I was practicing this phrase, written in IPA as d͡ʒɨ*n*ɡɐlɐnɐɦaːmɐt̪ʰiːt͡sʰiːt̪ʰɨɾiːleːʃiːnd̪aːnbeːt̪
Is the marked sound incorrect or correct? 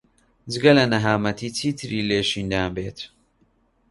incorrect